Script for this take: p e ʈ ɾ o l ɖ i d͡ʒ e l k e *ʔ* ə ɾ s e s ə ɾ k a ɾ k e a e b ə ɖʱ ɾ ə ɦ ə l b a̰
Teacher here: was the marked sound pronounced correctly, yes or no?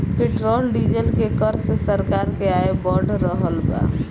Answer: no